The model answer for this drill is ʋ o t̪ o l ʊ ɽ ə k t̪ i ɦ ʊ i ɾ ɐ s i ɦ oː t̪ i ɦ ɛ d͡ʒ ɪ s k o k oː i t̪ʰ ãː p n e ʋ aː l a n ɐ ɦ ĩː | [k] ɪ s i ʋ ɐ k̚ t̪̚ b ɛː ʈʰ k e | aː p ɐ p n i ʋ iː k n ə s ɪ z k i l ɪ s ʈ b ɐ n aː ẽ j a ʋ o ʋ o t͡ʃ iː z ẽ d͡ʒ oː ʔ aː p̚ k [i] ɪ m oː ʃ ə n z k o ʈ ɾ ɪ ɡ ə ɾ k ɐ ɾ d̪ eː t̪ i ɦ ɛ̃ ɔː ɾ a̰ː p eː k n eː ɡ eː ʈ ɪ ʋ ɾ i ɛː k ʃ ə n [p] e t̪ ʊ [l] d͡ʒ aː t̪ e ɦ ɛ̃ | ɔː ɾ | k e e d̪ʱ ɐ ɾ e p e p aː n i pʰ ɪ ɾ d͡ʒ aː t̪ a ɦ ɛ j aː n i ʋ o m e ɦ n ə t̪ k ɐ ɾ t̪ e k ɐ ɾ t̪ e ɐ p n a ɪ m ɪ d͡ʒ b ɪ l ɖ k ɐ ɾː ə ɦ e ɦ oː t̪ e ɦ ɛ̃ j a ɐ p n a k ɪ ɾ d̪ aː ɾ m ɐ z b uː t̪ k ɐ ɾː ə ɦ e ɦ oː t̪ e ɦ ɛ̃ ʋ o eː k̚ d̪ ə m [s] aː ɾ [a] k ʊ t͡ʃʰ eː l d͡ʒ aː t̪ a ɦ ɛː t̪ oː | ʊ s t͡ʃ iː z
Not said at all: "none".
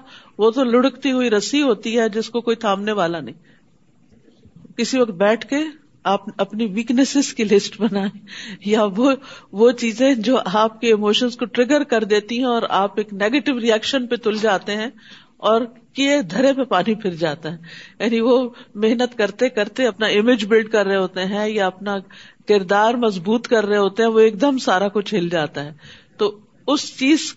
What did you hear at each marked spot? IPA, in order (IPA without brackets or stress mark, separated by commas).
k, e, p, l, s, a